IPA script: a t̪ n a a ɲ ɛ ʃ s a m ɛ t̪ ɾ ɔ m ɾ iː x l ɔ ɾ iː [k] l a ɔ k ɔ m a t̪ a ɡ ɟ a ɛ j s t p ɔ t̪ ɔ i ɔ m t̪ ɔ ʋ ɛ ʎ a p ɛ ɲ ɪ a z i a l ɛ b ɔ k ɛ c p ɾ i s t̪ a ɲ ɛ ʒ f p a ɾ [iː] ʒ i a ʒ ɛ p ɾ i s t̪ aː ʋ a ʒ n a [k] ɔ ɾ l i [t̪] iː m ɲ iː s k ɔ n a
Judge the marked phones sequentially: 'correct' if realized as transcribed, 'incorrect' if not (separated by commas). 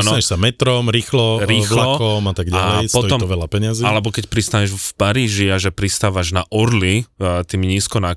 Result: incorrect, correct, incorrect, correct